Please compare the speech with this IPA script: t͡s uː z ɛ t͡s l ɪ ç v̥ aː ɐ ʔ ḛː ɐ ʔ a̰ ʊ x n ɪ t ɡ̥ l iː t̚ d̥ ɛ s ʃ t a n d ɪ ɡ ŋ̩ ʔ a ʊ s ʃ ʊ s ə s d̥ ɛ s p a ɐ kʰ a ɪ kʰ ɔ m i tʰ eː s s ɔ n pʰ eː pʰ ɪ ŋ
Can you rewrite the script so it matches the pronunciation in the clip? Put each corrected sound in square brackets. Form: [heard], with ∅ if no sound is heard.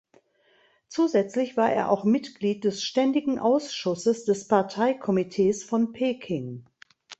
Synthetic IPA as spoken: t͡s uː z ɛ t͡s l ɪ ç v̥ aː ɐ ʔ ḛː ɐ ʔ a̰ ʊ x [m] ɪ t ɡ̥ l iː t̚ d̥ ɛ s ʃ t [ɛ] n d ɪ ɡ ŋ̩ ʔ a ʊ s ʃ ʊ s ə s d̥ ɛ s p a ɐ [tʰ] a ɪ kʰ ɔ m i tʰ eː s [f] ɔ n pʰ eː [kʰ] ɪ ŋ